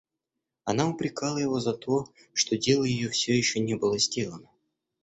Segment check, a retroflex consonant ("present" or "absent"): present